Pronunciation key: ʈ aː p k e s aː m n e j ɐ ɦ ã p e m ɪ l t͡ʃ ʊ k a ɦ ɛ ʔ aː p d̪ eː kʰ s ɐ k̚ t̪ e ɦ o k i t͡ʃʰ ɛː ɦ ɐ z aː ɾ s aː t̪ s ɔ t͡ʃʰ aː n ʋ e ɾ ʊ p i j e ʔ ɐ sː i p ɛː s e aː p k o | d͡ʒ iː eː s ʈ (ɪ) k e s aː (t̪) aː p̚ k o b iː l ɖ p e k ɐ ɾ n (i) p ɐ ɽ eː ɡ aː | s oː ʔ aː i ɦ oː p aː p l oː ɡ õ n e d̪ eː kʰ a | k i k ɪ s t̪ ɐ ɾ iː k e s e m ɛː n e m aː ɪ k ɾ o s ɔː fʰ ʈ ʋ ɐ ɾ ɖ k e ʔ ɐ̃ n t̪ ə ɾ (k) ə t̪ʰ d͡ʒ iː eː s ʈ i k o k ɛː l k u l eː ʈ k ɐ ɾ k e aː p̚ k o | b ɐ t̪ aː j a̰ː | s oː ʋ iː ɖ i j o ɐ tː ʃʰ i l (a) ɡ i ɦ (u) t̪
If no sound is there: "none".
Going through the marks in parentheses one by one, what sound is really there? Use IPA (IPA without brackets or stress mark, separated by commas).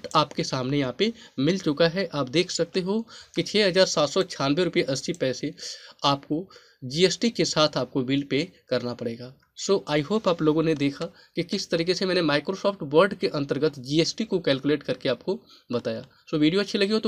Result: i, t̪ʰ, a, ɡ, ɐ, o